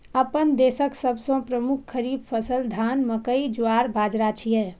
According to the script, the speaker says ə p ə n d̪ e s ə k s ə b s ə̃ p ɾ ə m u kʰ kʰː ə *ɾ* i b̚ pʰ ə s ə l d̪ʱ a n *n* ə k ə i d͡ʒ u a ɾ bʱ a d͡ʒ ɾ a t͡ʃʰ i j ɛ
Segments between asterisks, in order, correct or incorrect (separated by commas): correct, incorrect